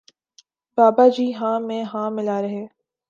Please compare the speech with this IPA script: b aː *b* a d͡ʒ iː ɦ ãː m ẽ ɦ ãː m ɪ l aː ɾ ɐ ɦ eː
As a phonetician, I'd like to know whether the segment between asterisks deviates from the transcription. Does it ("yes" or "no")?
no